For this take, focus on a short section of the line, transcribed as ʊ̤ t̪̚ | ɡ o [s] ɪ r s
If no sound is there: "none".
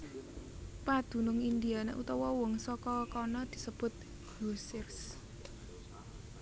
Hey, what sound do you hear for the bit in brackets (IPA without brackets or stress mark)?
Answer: s